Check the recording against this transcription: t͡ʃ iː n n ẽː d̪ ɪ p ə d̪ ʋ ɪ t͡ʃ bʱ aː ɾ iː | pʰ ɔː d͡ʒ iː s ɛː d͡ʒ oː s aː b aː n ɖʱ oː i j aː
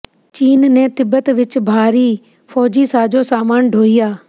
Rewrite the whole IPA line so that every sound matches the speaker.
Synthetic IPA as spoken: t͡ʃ iː n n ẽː t̪ ɪ b ə t̪ ʋ ɪ t͡ʃ bʱ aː ɾ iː | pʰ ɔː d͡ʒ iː s aː d͡ʒ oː s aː m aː n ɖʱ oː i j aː